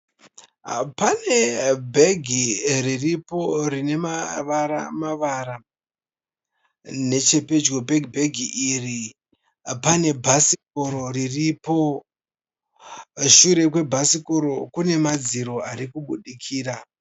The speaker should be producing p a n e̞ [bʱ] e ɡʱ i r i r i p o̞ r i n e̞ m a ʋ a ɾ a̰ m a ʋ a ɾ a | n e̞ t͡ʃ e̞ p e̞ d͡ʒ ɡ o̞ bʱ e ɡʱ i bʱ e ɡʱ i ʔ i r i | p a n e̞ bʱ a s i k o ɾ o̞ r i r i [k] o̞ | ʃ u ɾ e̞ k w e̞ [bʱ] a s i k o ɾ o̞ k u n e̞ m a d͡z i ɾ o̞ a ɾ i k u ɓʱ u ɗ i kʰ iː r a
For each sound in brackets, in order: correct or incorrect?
correct, incorrect: p, correct

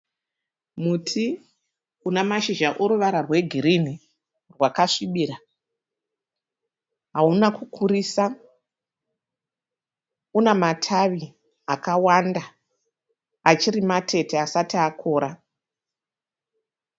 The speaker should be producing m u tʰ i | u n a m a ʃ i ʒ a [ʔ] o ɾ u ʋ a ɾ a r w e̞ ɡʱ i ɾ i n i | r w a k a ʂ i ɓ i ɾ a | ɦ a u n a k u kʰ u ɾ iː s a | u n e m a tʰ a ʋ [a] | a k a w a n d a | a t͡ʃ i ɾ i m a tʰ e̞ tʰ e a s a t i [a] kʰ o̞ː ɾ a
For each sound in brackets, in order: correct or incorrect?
correct, incorrect: i, correct

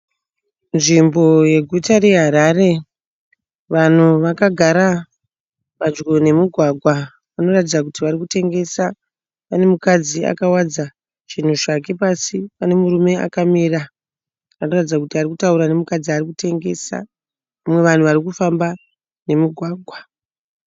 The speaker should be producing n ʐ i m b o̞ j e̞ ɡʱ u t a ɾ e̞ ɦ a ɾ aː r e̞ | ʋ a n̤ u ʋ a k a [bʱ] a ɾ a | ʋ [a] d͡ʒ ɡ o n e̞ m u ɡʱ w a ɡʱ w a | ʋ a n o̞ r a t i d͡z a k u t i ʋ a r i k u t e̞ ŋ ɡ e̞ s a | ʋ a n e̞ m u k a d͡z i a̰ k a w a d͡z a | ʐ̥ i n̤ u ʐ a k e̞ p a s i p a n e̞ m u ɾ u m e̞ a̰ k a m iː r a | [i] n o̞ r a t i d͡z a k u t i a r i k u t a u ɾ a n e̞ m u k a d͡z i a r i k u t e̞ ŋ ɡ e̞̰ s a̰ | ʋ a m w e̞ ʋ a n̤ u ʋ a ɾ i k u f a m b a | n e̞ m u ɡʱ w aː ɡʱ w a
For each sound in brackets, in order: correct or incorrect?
incorrect: ɡʱ, correct, incorrect: a

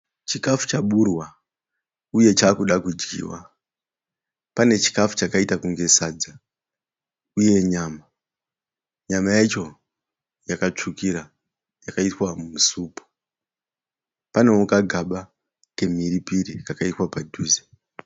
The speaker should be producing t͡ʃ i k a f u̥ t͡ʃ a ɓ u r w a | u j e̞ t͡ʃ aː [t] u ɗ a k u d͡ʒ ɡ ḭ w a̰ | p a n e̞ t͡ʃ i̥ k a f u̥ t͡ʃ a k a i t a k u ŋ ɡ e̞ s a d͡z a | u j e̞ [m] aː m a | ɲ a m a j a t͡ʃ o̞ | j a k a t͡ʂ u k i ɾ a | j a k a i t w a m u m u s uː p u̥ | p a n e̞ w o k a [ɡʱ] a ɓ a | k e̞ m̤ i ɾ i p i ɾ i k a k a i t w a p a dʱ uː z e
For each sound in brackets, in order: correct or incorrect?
incorrect: k, incorrect: ɲ, correct

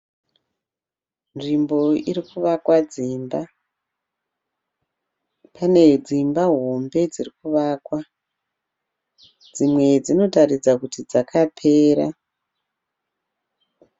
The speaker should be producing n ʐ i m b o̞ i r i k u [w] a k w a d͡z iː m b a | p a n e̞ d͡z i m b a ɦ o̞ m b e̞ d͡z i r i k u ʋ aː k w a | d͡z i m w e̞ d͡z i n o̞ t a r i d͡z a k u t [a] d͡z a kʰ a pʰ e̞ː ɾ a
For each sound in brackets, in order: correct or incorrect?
incorrect: ʋ, incorrect: i

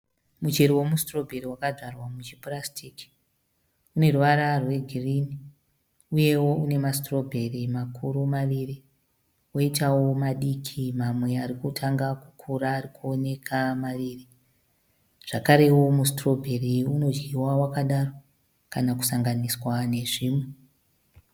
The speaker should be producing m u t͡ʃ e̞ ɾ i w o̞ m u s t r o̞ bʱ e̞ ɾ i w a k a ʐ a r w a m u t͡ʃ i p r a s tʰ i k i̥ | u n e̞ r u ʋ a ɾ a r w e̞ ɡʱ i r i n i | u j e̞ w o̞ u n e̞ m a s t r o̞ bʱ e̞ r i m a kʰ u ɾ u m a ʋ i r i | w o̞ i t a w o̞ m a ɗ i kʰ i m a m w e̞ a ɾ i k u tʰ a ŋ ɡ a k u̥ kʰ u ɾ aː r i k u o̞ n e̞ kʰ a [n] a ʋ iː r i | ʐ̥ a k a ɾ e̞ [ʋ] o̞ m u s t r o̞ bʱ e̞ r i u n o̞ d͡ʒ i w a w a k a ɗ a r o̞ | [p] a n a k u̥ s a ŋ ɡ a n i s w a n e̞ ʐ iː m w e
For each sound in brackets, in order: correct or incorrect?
incorrect: m, incorrect: w, incorrect: k

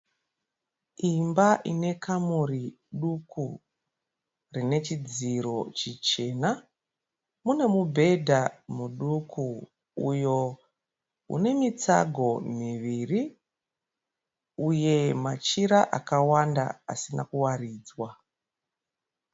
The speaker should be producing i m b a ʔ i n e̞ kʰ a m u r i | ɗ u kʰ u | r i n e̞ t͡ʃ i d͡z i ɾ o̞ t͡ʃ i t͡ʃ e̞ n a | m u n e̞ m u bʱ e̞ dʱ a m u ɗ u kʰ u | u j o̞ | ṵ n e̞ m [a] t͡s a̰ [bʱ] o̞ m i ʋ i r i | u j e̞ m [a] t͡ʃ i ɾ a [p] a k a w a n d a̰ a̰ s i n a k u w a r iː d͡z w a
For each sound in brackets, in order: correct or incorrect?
incorrect: i, incorrect: ɡʱ, correct, incorrect: ʔ

